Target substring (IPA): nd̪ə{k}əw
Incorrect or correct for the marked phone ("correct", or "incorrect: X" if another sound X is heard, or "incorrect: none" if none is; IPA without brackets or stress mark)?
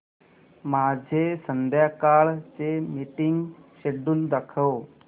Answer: incorrect: kʰ